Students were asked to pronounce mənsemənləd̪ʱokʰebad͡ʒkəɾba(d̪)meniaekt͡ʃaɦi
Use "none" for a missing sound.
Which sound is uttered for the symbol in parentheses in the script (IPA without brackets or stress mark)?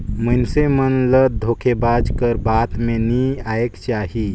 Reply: t̪